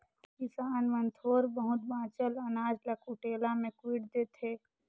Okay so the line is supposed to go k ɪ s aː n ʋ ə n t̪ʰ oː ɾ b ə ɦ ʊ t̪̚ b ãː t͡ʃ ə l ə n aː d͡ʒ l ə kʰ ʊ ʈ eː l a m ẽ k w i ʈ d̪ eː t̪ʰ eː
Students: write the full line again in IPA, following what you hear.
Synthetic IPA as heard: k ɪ s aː n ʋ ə n t̪ʰ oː ɾ b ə ɦ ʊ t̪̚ b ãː t͡ʃ ə l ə n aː d͡ʒ l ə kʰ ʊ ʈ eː l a m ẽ k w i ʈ d̪ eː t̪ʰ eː